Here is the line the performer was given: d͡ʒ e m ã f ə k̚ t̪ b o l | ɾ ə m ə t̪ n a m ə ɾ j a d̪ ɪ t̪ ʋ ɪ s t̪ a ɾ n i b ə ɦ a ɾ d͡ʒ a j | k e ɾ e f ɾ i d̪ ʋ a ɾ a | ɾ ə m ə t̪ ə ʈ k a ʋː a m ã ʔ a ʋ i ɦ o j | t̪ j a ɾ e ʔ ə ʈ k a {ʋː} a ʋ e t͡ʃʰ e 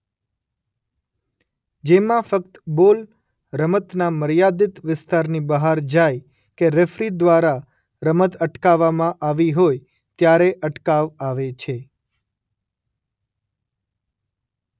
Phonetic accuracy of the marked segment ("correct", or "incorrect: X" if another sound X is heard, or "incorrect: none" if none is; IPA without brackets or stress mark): incorrect: ʋ